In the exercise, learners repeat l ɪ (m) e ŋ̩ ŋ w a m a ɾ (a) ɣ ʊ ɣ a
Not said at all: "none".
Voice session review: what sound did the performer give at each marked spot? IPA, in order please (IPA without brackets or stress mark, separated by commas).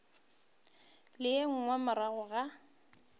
none, a